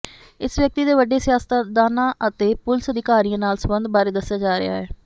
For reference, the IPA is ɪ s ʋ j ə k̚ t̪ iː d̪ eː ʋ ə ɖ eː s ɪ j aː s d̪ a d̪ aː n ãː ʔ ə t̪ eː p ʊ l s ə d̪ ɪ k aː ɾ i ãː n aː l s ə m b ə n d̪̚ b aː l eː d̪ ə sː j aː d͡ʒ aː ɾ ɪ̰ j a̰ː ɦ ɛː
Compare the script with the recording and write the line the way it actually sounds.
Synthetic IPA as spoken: ɪ s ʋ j ə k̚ t̪ iː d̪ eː ʋ ə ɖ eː s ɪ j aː s t̪ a d̪ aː n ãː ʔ ə t̪ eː p ʊ l s ə d̪ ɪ k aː ɾ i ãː n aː l s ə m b ə n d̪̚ b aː ɾ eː d̪ ə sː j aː d͡ʒ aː ɾ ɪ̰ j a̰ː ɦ ɛː